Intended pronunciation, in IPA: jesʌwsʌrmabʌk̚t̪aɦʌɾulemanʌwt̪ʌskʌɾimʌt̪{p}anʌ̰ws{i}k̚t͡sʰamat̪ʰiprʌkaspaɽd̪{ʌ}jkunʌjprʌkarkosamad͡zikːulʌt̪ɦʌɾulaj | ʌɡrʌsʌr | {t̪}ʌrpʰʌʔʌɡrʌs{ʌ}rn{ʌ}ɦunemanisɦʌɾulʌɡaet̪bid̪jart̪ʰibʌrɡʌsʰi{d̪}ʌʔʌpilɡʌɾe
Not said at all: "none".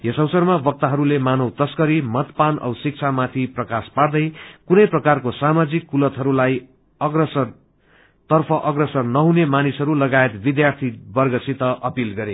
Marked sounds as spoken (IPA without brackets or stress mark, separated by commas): p, i, ʌ, t̪, ʌ, ʌ, t̪